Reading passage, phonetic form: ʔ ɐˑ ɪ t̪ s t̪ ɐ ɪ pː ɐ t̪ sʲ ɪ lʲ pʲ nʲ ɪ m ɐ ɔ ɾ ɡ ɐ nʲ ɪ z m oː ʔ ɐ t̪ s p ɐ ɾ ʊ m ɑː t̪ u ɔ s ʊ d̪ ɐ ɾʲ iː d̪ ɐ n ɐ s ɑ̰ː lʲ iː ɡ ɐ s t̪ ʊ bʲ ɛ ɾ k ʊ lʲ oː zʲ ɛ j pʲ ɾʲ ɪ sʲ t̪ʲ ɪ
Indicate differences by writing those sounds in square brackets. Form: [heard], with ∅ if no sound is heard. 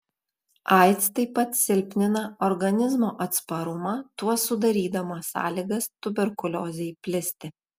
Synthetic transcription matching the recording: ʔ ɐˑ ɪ t̪ s t̪ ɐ ɪ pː ɐ t̪ sʲ ɪ lʲ pʲ nʲ ɪ [n] ɐ ɔ ɾ ɡ ɐ nʲ ɪ z m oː ʔ ɐ t̪ s p ɐ ɾ ʊ m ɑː t̪ u ɔ s ʊ d̪ ɐ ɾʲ iː d̪ ɐ [m] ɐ s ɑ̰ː lʲ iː ɡ ɐ s t̪ ʊ bʲ ɛ ɾ k ʊ lʲ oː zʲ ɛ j pʲ [lʲ] ɪ sʲ t̪ʲ ɪ